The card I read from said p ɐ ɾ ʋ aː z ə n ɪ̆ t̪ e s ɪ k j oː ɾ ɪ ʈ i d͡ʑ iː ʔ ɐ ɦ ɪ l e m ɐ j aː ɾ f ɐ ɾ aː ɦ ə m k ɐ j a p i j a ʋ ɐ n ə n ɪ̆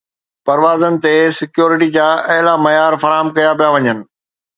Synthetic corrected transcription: p ɐ ɾ ʋ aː z ə n ɪ̆ t̪ e s ɪ k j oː ɾ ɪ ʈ i d͡ʑ aː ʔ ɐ ɦ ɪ l a m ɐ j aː ɾ f ɐ ɾ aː ɦ ə m k ɐ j a p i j a ʋ ɐ ɲ ə n ɪ̆